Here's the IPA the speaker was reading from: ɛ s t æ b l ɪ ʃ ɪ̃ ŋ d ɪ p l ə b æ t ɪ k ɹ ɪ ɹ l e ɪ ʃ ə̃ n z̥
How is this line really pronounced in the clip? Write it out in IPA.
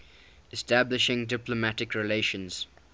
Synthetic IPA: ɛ s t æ b l ɪ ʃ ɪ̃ ŋ d ɪ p l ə m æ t ɪ k ɹ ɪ l e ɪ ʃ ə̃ n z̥